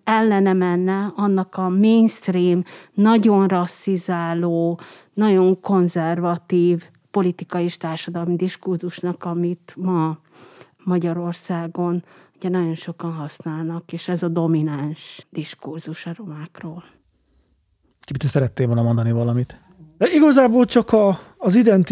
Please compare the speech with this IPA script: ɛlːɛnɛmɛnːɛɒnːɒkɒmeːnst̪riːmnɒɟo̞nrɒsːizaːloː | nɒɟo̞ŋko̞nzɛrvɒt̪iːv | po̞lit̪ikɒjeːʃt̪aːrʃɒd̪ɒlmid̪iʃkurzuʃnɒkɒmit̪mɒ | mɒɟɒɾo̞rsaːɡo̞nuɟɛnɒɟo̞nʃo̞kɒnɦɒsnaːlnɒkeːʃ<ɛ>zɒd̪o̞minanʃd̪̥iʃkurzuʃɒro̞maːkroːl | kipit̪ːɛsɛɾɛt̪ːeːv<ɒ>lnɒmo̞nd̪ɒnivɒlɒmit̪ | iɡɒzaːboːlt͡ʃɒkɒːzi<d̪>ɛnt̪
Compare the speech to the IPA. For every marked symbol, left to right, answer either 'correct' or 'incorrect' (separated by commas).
correct, incorrect, correct